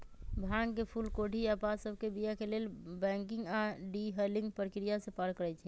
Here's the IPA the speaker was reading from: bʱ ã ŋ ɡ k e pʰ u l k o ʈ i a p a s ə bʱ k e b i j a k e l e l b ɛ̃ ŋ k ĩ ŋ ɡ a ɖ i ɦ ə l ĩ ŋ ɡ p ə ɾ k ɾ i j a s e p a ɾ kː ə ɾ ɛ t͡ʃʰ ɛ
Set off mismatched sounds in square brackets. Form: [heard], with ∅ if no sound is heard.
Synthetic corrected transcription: bʱ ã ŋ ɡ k e pʰ u l k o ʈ i a p a s ə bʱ k e b i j a k e l e l b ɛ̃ ŋ k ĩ ŋ ɡ a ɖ i ɦ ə l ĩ ŋ ɡ p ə ɾ k ɾ i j a s e p a ɾ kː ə ɾ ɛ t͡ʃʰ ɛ